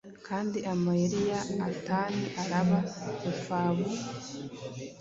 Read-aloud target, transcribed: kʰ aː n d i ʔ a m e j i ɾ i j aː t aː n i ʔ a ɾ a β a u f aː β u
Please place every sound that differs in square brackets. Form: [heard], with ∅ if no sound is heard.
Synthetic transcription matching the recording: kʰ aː n d i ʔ a m [a] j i ɾ i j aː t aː n i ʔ a ɾ a β a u f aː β u